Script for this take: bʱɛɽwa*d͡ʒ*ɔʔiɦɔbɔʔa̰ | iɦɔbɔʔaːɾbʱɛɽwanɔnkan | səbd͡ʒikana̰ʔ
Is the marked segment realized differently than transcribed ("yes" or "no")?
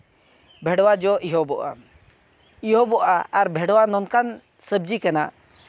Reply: no